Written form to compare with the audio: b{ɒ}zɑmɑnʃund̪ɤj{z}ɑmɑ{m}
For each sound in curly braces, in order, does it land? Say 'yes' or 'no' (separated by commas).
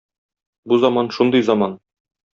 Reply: no, yes, no